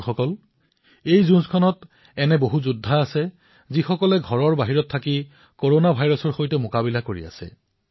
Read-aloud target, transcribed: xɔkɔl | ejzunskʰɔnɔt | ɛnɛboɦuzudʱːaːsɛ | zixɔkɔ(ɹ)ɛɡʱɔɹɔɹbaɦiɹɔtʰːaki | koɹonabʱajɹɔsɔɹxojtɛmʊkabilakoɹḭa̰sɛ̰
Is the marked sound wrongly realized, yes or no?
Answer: yes